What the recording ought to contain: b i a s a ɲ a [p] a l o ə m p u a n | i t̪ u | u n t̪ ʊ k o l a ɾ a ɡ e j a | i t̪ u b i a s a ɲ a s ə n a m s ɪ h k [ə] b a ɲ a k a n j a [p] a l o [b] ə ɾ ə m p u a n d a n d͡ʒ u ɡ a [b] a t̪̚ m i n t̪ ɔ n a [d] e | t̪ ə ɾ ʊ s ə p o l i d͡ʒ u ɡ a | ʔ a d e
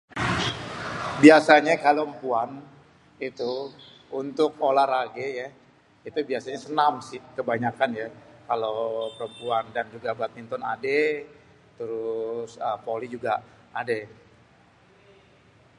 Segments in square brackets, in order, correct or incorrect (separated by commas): incorrect, correct, incorrect, incorrect, correct, correct